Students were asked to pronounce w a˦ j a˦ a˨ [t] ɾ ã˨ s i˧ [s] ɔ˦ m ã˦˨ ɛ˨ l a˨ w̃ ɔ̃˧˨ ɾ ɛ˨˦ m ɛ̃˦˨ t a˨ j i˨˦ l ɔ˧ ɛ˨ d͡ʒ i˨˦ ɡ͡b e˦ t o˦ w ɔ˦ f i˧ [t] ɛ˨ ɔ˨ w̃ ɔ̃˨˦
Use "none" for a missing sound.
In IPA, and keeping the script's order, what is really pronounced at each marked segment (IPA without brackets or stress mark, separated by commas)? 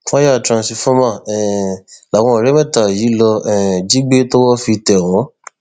t, f, t